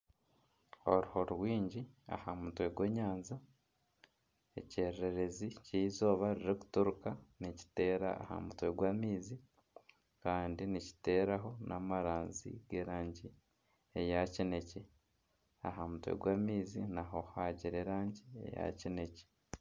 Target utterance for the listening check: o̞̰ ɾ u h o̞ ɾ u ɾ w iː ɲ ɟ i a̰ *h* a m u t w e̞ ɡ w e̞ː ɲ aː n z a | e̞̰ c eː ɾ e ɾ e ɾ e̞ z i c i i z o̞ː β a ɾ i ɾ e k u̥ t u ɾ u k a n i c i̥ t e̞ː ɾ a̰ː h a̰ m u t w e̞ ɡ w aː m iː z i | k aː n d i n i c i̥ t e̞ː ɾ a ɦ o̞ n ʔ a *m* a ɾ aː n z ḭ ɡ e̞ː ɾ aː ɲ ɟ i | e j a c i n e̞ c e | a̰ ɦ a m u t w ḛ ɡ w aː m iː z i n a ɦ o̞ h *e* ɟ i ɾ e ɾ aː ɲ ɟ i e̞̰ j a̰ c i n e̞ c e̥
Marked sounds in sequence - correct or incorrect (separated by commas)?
correct, correct, incorrect